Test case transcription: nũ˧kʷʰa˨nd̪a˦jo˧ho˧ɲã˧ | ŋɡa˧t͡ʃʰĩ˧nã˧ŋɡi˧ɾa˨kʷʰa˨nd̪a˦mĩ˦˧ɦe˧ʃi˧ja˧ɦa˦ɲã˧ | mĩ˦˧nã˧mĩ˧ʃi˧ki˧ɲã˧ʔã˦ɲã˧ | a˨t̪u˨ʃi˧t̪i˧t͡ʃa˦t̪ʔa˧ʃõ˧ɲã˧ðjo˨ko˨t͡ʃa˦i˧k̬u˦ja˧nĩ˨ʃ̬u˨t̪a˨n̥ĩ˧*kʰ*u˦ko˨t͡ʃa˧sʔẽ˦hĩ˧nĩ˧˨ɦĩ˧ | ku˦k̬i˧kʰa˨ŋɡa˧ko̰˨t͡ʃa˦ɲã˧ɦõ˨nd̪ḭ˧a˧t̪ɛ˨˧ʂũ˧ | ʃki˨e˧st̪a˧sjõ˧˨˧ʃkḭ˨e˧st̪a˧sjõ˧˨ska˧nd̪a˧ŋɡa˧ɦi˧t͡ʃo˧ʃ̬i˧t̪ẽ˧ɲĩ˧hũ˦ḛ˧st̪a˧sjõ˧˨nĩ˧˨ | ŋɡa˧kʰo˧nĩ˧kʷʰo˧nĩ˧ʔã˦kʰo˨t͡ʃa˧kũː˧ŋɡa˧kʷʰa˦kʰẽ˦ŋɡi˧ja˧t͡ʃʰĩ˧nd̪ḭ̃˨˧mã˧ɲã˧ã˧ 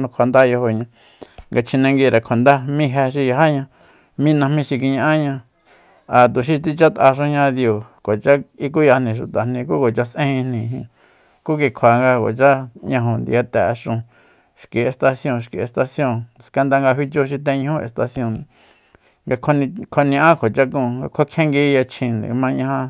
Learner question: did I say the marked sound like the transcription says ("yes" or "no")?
no